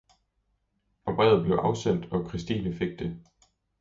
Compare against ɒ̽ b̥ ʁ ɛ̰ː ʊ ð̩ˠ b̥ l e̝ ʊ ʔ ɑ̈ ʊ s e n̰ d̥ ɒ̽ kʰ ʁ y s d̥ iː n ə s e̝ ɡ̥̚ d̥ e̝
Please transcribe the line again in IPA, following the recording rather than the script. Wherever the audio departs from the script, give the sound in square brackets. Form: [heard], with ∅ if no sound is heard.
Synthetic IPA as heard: ɒ̽ b̥ ʁ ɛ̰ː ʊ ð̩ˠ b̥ l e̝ ʊ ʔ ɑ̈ ʊ s e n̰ d̥ ɒ̽ kʰ ʁ [i] s d̥ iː n ə [f] e̝ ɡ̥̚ d̥ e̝

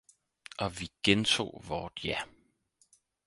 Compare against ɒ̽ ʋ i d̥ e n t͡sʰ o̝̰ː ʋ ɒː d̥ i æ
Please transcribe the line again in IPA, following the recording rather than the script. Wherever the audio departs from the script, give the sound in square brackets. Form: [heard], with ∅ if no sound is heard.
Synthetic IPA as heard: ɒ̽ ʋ i [ɡ̥] e n t͡sʰ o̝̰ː ʋ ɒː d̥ [j] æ

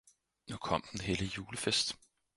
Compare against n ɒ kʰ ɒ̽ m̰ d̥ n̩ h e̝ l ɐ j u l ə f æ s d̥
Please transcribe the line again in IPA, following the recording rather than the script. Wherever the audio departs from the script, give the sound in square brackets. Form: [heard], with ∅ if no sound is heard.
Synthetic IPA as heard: n [u] kʰ ɒ̽ m̰ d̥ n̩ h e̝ l [ə] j [uː] l ə f [e] s d̥

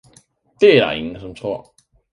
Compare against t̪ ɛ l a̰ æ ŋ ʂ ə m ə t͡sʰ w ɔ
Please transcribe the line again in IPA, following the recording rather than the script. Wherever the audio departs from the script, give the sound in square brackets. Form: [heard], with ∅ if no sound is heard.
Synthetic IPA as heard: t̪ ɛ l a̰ [i] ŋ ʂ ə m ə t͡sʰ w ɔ

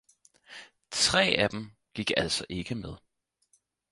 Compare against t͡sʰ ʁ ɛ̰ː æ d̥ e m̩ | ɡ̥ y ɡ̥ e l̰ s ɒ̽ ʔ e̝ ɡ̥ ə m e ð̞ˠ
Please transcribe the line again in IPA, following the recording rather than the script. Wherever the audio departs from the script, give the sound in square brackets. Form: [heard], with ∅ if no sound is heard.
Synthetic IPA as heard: t͡sʰ ʁ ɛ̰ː æ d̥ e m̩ | ɡ̥ [i] ɡ̥ [æ] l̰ s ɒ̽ ʔ e̝ ɡ̥ ə m e ð̞ˠ

